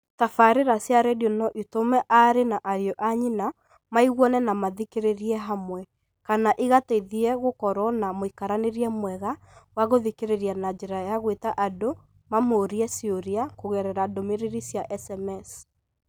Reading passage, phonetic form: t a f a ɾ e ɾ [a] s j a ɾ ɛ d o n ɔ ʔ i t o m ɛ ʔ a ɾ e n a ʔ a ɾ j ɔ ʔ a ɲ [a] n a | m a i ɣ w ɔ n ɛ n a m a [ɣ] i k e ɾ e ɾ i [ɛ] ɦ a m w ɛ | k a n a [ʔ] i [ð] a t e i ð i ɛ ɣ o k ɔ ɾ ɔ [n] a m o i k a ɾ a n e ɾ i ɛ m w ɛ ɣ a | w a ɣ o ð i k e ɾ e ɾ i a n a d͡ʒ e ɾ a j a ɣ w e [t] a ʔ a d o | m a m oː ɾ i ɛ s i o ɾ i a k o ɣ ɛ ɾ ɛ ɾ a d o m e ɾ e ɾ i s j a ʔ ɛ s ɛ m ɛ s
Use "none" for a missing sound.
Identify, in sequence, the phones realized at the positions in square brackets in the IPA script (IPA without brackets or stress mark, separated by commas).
a, i, ð, ɛ, ʔ, ɣ, n, t